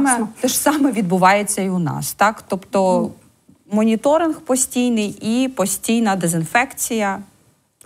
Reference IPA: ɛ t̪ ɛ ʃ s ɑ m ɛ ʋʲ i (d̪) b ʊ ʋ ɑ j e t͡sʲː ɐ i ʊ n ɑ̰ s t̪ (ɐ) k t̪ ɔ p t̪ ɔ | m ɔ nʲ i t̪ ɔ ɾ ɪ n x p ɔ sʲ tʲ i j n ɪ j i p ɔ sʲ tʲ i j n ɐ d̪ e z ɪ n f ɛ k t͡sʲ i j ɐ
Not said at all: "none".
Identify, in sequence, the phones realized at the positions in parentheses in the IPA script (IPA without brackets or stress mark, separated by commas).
d̪, ɑ